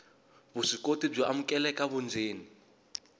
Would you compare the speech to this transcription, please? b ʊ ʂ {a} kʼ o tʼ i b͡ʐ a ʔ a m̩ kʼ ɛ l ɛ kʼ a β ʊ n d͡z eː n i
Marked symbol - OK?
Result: no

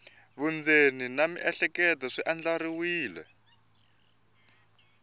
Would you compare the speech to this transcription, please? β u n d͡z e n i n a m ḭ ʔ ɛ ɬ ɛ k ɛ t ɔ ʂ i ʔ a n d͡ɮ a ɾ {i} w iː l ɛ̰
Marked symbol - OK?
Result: yes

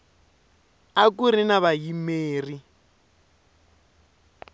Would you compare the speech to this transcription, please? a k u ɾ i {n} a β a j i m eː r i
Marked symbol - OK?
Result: yes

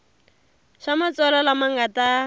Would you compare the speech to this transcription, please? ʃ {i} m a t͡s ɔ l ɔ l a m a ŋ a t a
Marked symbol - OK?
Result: no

